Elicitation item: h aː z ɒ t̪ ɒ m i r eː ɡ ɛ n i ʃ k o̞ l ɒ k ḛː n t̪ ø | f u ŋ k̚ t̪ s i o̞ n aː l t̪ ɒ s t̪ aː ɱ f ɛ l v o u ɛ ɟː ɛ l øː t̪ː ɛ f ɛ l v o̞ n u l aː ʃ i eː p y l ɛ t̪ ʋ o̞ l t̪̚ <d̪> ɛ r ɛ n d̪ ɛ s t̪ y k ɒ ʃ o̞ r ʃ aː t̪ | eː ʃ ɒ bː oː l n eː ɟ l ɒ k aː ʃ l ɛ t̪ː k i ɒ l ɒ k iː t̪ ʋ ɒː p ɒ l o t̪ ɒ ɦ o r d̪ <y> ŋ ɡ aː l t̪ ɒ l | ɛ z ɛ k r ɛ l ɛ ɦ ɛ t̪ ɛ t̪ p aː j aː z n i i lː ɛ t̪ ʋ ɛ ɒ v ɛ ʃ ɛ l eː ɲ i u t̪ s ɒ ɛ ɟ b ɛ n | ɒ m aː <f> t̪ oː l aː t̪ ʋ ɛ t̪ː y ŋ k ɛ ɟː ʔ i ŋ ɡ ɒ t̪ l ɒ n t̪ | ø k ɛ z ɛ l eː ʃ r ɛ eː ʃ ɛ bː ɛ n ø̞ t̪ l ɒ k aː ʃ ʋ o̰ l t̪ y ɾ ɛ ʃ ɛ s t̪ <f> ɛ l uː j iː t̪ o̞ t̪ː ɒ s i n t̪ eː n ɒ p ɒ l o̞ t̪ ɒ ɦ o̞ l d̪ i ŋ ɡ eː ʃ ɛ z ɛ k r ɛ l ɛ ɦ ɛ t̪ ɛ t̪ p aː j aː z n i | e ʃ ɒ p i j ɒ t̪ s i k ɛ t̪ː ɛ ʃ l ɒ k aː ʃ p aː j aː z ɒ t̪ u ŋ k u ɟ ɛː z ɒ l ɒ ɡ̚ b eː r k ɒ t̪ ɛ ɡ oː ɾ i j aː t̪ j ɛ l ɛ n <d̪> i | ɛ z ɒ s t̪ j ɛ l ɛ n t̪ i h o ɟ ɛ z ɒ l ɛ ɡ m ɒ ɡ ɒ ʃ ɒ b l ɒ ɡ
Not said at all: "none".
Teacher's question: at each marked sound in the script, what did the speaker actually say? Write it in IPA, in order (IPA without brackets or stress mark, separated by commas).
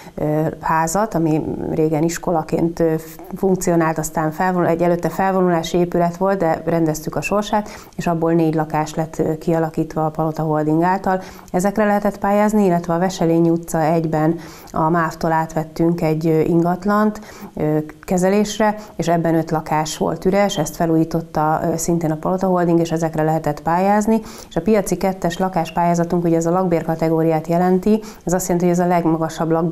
d̪, i, f, f, t̪